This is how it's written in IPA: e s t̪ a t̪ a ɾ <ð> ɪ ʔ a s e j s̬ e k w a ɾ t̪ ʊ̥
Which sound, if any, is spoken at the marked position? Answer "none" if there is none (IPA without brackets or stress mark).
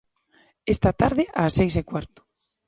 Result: ð